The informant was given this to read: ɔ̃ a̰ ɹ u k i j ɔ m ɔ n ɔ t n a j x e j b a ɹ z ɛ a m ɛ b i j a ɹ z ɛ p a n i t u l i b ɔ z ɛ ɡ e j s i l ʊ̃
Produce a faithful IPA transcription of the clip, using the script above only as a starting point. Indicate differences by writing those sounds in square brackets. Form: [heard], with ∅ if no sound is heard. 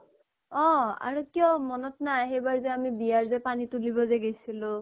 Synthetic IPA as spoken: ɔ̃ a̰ ɹ u k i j ɔ m ɔ n ɔ t n a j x e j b a ɹ z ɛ a m [i] b i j a ɹ z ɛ p a n i t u l i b ɔ z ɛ ɡ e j s i l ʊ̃